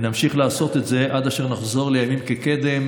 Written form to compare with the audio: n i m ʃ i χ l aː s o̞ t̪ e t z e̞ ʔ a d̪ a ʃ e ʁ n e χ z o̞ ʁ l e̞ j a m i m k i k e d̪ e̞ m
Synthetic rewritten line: n a m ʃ i χ l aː s o̞ t̪ e t z e̞ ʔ a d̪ a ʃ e ʁ n a χ z o̞ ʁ l e̞ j a m i m k e k e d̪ e̞ m